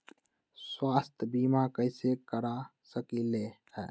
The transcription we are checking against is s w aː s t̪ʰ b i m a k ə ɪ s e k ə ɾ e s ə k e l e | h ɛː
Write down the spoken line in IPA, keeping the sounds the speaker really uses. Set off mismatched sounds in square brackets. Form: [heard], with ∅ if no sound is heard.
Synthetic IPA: s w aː s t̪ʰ b i m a k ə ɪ s e k ə ɾ [a] s ə k [i] l e | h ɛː